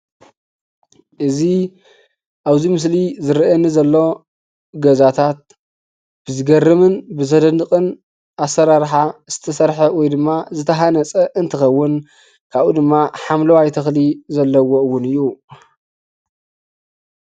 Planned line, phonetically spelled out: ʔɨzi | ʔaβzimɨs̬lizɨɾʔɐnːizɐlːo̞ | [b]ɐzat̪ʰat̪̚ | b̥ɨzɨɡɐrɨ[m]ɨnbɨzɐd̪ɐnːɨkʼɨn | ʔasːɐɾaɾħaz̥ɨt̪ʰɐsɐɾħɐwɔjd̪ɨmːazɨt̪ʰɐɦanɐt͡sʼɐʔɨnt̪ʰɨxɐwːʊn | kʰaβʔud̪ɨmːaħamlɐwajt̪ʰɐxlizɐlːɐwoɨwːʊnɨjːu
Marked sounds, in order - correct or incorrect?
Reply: incorrect, correct

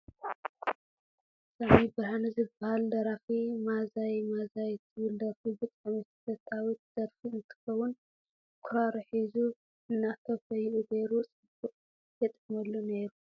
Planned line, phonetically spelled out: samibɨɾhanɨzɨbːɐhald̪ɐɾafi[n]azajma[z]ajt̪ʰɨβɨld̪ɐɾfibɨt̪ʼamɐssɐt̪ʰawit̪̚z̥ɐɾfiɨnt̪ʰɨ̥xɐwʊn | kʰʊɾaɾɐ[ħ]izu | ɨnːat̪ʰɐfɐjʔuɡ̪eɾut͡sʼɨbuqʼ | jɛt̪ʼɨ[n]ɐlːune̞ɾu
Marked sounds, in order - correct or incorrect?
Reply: incorrect, correct, correct, incorrect

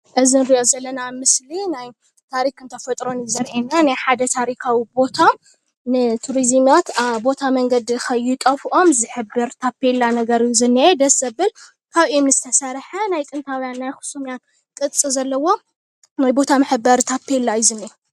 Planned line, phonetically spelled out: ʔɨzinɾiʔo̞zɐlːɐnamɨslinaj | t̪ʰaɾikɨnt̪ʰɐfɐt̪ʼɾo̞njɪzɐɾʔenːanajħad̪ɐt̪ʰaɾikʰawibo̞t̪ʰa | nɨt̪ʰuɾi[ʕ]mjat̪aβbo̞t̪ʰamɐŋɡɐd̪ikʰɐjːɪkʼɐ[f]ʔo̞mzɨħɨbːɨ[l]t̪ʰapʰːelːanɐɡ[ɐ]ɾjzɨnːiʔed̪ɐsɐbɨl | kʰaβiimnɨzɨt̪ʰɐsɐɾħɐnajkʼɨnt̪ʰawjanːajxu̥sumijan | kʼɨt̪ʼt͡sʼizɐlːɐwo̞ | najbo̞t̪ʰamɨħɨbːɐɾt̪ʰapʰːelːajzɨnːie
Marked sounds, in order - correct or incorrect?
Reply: incorrect, correct, incorrect, correct

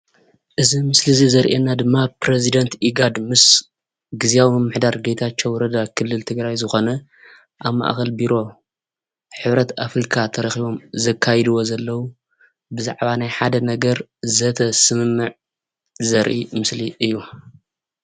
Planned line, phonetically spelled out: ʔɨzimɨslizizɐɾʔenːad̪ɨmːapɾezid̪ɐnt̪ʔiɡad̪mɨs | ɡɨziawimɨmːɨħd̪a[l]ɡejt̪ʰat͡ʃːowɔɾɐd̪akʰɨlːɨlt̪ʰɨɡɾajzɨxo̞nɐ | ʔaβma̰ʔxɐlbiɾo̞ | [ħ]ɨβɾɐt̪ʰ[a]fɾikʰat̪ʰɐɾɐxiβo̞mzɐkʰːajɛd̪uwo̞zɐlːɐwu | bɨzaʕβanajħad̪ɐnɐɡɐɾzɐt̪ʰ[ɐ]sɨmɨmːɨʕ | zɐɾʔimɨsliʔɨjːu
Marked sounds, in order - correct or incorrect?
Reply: incorrect, correct, correct, correct

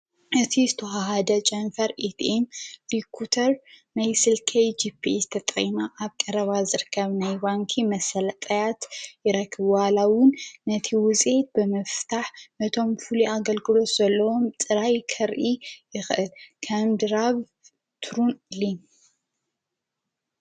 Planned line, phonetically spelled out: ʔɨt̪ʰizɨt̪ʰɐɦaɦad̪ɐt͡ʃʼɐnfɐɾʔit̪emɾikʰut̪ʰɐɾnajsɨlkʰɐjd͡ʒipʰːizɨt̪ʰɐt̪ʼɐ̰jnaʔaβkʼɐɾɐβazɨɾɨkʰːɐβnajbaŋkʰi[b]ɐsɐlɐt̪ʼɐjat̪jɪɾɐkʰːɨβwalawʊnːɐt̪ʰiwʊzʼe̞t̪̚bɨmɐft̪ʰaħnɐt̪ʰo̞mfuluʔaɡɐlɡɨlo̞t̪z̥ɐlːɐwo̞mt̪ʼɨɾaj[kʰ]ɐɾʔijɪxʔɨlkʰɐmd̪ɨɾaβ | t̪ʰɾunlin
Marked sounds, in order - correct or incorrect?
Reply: incorrect, correct

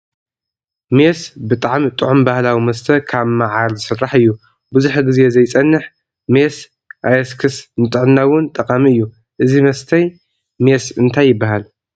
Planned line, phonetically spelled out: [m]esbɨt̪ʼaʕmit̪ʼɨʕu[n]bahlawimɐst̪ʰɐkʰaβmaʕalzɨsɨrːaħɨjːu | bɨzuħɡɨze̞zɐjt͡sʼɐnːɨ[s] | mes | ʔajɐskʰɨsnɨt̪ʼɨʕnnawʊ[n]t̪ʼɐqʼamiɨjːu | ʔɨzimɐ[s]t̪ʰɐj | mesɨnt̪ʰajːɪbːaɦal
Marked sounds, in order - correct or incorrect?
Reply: correct, incorrect, incorrect, correct, correct

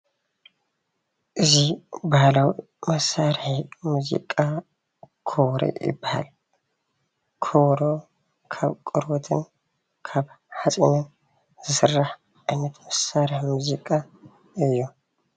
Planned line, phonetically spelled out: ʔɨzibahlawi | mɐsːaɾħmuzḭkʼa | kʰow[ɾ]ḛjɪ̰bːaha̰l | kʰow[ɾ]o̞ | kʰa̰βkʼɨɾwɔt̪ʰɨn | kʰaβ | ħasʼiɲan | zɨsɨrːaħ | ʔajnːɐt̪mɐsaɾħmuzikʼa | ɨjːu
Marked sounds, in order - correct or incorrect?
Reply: correct, correct

